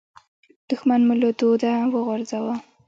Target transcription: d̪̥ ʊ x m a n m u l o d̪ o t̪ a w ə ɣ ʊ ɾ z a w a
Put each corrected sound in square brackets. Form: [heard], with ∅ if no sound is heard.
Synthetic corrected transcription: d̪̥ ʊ x m a n m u l o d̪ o [d̪] a w ə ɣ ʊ ɾ z a w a